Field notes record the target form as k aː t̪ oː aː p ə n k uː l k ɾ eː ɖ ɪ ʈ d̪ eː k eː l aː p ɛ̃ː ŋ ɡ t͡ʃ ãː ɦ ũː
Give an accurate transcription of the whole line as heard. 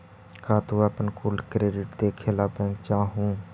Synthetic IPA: k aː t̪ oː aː p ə n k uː l k ɾ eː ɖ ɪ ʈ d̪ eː kʰ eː l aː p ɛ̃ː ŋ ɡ t͡ʃ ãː ɦ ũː